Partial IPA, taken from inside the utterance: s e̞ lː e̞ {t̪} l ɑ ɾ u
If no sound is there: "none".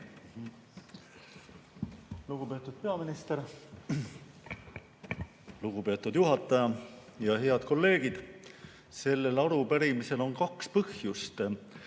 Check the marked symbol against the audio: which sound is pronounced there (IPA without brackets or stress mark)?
none